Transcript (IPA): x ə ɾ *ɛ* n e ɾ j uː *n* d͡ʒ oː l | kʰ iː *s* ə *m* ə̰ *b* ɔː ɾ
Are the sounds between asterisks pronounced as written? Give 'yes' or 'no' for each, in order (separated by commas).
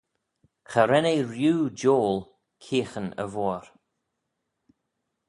yes, no, no, no, no